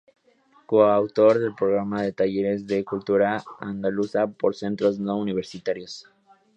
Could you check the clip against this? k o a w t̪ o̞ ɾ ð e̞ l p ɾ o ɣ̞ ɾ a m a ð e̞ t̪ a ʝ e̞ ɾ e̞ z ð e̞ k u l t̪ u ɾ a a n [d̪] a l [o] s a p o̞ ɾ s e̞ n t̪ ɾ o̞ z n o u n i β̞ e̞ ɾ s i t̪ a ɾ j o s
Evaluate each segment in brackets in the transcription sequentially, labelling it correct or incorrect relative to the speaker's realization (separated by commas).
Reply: correct, incorrect